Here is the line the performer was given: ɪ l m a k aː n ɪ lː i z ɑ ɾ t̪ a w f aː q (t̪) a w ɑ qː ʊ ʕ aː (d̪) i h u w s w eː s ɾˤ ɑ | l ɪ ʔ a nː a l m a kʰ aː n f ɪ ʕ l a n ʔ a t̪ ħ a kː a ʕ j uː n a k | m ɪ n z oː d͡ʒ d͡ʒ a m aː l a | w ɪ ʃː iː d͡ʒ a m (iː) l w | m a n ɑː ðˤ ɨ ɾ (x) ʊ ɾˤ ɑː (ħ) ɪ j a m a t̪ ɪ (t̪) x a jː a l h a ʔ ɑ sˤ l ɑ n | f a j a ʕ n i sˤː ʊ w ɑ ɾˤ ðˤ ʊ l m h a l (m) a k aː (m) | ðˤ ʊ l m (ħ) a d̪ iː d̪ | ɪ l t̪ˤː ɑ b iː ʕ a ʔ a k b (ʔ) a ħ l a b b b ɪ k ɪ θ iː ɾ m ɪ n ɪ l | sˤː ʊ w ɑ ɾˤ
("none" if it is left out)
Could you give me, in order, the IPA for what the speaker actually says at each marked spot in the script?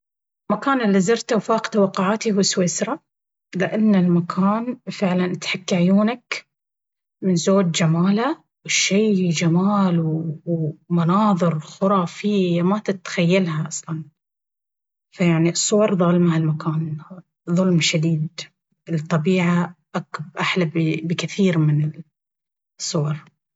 t̪, t̪, aː, x, f, t̪, m, n, ʃ, ʔ

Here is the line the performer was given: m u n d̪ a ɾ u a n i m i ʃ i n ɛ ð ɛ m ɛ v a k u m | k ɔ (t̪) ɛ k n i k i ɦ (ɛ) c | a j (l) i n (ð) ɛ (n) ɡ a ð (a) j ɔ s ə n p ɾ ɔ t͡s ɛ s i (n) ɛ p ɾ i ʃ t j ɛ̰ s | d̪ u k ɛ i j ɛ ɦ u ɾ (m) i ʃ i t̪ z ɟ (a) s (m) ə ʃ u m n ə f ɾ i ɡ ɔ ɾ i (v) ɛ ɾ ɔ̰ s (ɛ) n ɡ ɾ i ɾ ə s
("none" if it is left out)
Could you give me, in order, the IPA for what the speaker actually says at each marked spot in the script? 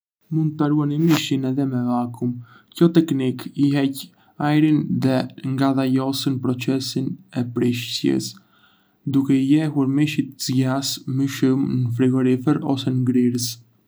t̪, ɛ, ɾ, ð, ŋ, a, n, m, a, m, f, ɛ

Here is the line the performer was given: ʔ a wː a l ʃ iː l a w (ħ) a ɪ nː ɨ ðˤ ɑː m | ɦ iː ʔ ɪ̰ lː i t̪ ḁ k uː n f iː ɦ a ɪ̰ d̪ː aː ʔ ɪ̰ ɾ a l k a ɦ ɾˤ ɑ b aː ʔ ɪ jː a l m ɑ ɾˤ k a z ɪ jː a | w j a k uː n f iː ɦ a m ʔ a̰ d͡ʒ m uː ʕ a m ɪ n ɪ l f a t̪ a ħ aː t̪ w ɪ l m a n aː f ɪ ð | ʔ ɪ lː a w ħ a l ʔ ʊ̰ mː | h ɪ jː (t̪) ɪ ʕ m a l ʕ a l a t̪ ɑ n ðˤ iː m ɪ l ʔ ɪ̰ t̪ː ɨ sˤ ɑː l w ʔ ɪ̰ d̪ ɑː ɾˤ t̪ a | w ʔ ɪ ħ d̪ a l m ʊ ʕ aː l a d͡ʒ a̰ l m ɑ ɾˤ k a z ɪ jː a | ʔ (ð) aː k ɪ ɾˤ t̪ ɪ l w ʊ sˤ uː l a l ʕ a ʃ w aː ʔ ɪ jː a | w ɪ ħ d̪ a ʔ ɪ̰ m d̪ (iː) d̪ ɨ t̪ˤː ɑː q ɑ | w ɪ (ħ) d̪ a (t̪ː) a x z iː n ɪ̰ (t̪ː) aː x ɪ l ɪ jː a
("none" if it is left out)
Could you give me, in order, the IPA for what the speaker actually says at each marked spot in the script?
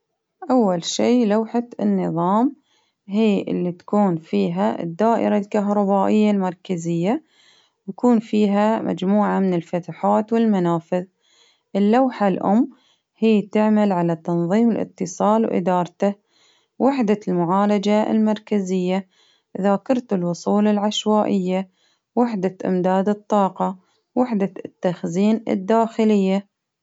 ħ, t̪, ð, aː, ħ, t̪ː, d̪ː

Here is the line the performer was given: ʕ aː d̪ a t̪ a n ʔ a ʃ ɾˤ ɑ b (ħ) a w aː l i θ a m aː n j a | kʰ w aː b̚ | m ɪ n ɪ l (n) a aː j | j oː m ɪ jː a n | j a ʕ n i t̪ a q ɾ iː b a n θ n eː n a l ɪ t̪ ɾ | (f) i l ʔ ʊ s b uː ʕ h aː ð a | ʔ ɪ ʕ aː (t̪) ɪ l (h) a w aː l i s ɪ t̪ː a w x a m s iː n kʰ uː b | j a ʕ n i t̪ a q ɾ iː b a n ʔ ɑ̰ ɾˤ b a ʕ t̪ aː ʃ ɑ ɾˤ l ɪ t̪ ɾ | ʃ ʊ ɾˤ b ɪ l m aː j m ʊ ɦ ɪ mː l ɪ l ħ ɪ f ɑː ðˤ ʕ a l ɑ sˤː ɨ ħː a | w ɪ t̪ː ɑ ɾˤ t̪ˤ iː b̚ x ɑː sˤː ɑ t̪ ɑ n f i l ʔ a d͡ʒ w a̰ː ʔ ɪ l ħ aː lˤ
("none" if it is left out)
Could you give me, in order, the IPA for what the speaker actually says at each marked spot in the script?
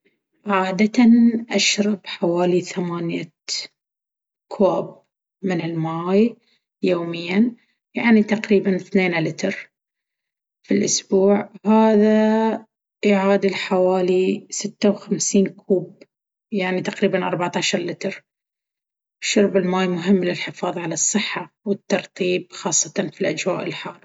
ħ, m, f, d̪, ħ

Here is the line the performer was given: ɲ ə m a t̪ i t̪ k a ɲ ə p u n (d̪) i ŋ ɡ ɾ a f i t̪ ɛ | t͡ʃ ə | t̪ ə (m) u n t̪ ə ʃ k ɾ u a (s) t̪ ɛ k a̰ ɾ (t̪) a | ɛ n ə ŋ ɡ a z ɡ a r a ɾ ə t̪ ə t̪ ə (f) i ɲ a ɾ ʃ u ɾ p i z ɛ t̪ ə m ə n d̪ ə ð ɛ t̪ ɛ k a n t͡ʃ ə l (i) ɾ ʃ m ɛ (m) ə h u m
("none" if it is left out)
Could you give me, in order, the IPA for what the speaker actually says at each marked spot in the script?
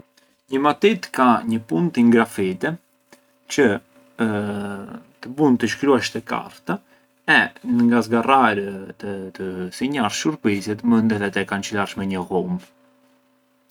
t̪, b, ʃ, t̪, s, a, ɲ

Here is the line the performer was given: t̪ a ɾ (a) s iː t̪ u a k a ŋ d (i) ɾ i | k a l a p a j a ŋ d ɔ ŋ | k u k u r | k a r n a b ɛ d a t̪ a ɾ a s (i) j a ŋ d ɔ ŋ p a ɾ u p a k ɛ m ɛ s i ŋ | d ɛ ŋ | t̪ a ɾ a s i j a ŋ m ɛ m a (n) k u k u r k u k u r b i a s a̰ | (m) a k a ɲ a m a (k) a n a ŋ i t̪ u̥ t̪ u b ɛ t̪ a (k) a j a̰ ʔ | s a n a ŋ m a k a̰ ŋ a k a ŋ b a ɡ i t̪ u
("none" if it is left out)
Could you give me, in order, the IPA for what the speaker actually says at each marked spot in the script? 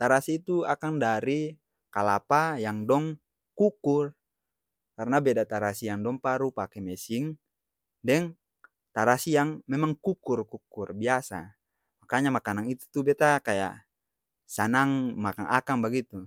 a, a, i, ŋ, m, k, k

